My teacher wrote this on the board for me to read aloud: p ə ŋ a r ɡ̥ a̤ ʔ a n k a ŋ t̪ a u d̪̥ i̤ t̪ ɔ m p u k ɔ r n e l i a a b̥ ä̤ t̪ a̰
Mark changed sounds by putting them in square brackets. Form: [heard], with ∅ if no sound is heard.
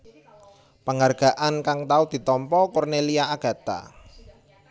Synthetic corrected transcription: p ə ŋ a r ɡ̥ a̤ ʔ a n k a ŋ t̪ a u d̪̥ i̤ t̪ ɔ m p [ɔ] k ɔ r n e l i a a [ɡ̥] ä̤ t̪ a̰